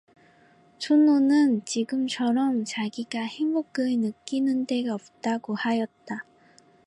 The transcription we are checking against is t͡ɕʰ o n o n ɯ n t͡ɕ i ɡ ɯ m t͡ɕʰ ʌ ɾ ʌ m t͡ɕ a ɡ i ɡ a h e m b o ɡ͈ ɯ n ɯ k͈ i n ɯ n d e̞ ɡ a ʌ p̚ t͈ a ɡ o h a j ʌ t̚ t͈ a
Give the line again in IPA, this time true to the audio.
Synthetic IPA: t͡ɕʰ o n o n ɯ n t͡ɕ i ɡ ɯ m t͡ɕʰ ʌ ɾ ʌ m t͡ɕ a ɡ i ɡ a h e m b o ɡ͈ ɯ n ɯ k͈ i n ɯ n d e̞ ɡ a ʌ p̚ t͈ a ɡ o h a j ʌ t̚ t͈ a

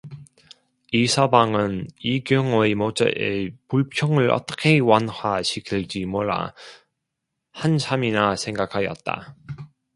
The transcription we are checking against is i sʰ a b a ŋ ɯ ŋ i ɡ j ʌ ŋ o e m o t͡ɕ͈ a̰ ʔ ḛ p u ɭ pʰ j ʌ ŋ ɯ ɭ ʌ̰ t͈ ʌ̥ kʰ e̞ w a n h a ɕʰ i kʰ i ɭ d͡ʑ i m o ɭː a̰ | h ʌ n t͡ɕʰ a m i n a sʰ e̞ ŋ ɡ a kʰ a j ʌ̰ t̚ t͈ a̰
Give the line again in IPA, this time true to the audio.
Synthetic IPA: i sʰ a b a ŋ ɯ n i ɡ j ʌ ŋ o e m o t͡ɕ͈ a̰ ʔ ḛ p u ɭ pʰ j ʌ ŋ ɯ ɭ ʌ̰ t͈ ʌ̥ kʰ e̞ w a n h a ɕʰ i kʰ i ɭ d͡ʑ i m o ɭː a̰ | h a n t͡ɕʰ a m i n a sʰ e̞ ŋ ɡ a kʰ a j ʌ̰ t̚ t͈ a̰

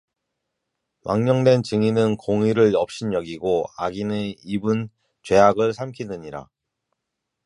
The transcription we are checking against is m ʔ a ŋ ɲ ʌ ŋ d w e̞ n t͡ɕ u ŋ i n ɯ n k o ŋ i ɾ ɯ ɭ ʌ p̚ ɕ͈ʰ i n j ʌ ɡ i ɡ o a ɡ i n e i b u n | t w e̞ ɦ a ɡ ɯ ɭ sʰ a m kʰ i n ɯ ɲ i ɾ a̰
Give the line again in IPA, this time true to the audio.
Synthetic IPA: m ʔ a ŋ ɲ ʌ ŋ d w e̞ n t͡ɕ ɯ ŋ i n ɯ n k o ŋ i ɾ ɯ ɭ ʌ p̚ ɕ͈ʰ i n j ʌ ɡ i ɡ o a ɡ i n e i b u n | t͡ɕ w e̞ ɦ a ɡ ɯ ɭ sʰ a m kʰ i n ɯ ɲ i ɾ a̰

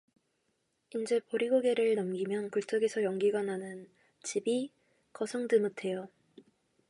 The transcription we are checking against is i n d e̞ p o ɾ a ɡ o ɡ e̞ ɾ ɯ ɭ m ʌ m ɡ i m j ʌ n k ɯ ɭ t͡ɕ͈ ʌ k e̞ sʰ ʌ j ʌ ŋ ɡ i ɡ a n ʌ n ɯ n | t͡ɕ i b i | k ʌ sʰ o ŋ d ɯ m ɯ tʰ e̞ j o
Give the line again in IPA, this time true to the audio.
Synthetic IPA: i n d͡ʑ e̞ p o ɾ i ɡ o ɡ e̞ ɾ ɯ ɭ n ʌ m ɡ i m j ʌ n k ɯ ɭ t͡ɕ͈ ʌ ɡ e̞ sʰ ʌ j ʌ ŋ ɡ i ɡ a n a n ɯ n | t͡ɕ i b i | k ʌ sʰ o ŋ d ɯ m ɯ tʰ e̞ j o

